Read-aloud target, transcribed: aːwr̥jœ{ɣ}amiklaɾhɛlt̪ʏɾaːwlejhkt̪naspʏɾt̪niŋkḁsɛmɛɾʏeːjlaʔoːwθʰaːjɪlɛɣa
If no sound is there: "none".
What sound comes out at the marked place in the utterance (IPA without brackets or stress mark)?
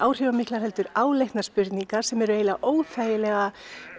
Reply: v